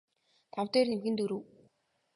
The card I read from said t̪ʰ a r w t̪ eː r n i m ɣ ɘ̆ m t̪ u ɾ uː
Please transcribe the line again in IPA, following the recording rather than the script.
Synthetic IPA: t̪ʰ a w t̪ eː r n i m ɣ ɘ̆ n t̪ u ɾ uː